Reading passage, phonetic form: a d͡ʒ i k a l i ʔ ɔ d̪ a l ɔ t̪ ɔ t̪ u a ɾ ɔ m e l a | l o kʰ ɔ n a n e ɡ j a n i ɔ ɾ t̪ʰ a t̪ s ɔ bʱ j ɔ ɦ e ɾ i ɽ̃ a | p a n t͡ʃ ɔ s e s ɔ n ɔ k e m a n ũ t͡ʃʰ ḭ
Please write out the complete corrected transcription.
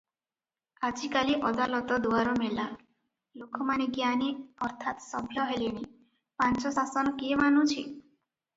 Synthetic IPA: a d͡ʒ i k a l i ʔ ɔ d̪ a l ɔ t̪ ɔ d̪ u a ɾ ɔ m e l a | l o kʰ ɔ m a n e ɡ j a n i ɔ ɾ t̪ʰ a t̪ s ɔ bʱ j ɔ ɦ e l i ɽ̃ i | p a n t͡ʃ ɔ s a s ɔ n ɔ k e m a n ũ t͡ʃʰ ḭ